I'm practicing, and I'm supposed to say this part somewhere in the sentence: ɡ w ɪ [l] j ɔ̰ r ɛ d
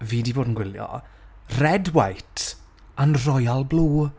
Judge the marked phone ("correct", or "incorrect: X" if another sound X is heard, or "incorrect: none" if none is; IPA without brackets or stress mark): correct